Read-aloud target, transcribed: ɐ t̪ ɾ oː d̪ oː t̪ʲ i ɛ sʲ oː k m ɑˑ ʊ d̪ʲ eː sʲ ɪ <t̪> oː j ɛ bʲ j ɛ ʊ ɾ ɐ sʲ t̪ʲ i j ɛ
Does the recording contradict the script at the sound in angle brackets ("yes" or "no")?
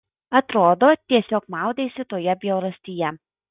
no